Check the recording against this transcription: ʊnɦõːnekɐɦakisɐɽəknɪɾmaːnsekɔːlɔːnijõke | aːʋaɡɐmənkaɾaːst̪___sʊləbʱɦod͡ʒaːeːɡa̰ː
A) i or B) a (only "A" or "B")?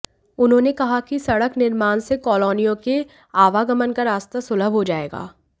B